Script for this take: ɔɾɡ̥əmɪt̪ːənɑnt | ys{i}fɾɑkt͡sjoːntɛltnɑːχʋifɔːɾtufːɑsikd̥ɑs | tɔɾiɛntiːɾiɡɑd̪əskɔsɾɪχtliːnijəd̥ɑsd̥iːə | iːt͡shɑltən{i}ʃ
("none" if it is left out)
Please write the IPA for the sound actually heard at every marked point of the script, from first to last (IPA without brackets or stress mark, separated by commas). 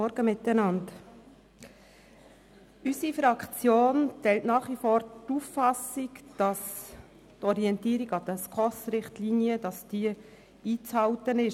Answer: i, ɪ